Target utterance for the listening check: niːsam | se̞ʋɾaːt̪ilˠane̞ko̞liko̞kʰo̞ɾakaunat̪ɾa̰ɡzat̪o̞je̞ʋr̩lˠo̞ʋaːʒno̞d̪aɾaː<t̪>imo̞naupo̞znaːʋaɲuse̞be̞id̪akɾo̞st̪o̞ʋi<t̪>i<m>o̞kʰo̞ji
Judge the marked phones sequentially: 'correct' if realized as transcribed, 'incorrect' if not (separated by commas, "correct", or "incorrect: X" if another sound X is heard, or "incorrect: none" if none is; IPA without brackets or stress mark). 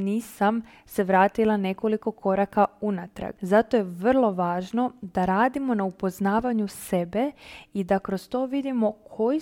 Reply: incorrect: d̪, incorrect: d̪, correct